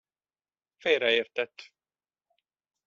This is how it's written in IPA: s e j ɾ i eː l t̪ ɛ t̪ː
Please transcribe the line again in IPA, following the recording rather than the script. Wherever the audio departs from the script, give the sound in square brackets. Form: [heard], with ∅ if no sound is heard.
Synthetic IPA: [f] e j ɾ [ɛ] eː [r] t̪ ɛ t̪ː